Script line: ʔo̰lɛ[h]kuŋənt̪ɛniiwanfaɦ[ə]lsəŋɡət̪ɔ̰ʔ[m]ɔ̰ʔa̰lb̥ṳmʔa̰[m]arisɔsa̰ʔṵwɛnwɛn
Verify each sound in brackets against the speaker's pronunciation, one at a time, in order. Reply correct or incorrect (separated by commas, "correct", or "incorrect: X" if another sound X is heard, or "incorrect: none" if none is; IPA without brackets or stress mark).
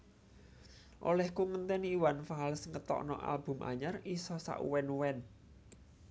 correct, incorrect: a, incorrect: n, incorrect: ɲ